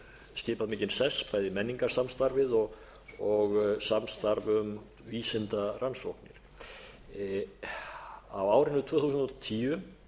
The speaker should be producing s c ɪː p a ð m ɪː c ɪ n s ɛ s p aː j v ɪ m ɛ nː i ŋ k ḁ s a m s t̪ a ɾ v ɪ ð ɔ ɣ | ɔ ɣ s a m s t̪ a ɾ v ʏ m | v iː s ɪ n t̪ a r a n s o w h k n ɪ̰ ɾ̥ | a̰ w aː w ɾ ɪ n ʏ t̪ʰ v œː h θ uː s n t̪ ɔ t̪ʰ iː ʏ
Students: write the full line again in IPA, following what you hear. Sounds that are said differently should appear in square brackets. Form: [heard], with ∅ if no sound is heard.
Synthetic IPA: s c ɪː p a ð m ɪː c ɪ n s ɛ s p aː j [ð] ɪ m ɛ nː i ŋ k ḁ s a m s t̪ a ɾ v ɪ ð ɔ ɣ | ɔ ɣ s a m s t̪ a ɾ v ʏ m | v iː s ɪ n t̪ a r a n s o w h k n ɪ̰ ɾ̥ | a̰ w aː w ɾ ɪ n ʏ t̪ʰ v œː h θ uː s n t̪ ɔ t̪ʰ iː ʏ